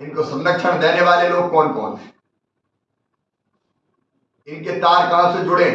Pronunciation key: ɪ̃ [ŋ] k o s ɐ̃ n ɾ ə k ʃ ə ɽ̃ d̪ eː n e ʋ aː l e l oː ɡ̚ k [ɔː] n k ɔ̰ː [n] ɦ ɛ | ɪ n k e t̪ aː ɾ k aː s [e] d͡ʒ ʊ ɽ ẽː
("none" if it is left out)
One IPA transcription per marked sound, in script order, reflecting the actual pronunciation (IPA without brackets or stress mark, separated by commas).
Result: n, ɔː, n, e